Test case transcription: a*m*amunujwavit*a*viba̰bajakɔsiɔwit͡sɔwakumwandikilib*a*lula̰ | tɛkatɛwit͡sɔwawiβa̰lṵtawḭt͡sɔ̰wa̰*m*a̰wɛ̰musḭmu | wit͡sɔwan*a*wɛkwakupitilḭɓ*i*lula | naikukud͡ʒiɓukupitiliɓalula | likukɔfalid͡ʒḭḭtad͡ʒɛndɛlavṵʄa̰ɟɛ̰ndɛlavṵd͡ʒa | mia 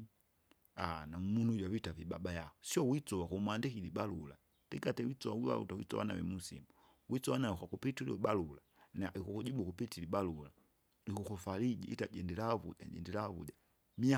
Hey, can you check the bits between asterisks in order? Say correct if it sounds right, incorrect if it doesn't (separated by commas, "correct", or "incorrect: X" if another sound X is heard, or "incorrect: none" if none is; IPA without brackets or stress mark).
incorrect: n, correct, correct, incorrect: n, correct, incorrect: a